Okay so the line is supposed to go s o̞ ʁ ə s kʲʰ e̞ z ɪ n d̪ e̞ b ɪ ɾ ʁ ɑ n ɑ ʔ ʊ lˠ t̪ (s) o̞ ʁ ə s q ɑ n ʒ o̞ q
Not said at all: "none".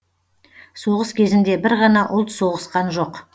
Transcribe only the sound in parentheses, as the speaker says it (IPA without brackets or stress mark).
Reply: s